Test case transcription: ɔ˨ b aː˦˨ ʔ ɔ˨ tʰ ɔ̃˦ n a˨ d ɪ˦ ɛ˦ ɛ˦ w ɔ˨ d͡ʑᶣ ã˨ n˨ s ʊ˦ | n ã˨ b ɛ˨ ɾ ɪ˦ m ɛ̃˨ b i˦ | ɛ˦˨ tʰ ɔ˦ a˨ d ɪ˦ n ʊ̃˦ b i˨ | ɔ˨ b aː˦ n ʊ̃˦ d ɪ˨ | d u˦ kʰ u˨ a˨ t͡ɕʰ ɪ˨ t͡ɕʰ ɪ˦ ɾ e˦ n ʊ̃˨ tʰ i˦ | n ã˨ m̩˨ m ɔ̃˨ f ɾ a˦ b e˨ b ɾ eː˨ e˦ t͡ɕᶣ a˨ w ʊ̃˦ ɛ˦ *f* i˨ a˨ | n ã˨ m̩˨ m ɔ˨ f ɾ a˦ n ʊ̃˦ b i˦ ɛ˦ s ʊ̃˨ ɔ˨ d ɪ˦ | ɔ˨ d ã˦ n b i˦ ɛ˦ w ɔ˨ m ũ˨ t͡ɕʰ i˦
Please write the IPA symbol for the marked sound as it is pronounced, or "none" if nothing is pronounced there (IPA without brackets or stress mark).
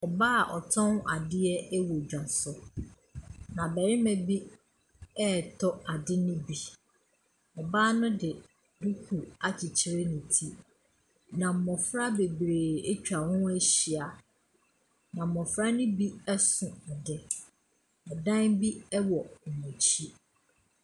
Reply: ɕ